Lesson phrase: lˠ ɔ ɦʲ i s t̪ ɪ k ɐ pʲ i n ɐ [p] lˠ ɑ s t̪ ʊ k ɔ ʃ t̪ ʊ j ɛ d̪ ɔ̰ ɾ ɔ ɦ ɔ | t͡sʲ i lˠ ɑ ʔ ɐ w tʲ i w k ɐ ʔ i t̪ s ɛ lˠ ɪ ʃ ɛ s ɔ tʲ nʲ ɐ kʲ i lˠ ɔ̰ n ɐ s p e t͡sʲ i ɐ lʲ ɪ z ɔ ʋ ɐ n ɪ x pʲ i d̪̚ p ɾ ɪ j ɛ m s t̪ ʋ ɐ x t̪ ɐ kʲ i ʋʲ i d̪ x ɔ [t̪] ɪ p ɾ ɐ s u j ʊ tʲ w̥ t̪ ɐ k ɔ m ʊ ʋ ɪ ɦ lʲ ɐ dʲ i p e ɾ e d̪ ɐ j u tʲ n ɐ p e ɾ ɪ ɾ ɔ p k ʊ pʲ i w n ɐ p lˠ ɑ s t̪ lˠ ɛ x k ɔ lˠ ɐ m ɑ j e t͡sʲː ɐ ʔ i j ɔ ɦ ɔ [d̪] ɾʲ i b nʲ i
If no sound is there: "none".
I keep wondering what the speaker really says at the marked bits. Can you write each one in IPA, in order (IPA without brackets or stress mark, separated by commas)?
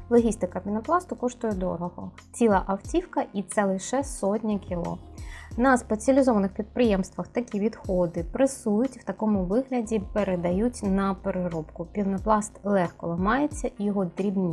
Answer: p, d̪, d̪